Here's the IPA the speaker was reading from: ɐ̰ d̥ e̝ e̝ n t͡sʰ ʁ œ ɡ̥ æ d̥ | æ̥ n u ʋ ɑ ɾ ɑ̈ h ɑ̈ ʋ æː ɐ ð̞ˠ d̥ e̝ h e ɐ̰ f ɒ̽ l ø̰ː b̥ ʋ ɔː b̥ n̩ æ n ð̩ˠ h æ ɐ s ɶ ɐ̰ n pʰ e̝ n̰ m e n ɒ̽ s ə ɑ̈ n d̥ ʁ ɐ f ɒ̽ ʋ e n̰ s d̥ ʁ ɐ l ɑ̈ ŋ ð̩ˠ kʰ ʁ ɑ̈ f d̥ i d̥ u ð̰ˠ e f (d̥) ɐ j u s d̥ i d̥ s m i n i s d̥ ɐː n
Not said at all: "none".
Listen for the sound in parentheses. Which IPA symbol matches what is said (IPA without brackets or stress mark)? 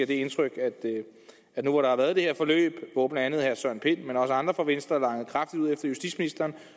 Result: d̥